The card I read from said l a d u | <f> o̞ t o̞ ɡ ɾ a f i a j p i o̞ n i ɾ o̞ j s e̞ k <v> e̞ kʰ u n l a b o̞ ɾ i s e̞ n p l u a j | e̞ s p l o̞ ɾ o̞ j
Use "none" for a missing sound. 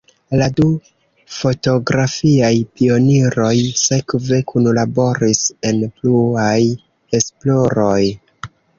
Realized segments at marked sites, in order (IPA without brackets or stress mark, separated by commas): f, v